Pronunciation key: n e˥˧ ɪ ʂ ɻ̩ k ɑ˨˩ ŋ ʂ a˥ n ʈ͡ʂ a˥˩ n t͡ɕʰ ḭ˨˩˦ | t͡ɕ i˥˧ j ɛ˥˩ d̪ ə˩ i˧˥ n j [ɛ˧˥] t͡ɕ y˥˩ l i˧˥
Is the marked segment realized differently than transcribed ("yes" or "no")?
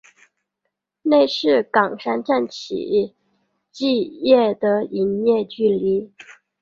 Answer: yes